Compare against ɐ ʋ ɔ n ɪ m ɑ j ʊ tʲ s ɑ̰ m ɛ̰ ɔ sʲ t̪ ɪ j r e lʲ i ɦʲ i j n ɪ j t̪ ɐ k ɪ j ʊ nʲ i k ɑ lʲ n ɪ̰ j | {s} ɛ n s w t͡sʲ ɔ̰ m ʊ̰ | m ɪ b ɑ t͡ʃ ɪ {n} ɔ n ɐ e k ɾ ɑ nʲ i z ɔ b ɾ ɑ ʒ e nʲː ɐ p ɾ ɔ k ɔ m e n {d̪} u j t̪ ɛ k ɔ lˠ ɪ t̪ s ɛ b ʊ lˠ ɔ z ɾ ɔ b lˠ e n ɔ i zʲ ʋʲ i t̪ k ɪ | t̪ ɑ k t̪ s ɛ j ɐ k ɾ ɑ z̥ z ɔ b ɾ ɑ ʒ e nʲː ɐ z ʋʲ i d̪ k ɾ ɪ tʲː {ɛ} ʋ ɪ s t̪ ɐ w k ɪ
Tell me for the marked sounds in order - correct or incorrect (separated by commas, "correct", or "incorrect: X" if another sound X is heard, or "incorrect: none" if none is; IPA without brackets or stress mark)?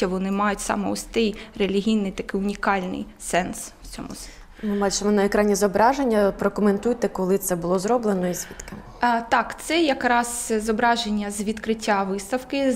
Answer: correct, incorrect: m, incorrect: t̪, incorrect: a